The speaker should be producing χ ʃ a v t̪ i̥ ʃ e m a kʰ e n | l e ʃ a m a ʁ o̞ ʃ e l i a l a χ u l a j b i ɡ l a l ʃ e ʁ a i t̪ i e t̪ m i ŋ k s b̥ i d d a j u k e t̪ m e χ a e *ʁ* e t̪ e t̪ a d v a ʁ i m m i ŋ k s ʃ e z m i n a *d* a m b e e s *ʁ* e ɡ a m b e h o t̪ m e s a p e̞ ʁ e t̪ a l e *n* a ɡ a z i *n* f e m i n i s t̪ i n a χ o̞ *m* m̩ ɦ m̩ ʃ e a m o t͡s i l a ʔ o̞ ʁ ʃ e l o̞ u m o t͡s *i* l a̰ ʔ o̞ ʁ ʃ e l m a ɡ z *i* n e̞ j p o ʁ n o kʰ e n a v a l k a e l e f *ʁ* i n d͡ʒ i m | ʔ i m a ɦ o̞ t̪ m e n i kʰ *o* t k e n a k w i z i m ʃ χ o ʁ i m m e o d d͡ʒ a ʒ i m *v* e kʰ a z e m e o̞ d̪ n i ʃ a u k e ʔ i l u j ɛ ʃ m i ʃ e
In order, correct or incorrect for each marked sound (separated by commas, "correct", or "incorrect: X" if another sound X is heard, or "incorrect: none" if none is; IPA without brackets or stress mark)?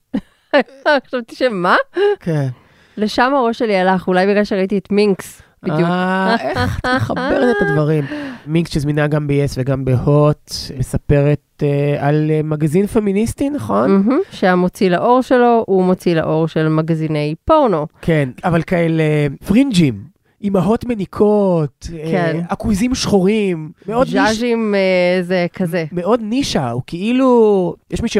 correct, incorrect: ɡ, incorrect: v, incorrect: m, correct, incorrect: n, correct, correct, correct, correct, incorrect: z